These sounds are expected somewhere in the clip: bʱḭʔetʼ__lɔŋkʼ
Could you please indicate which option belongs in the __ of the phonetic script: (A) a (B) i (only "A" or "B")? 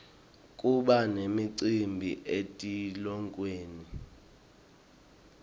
B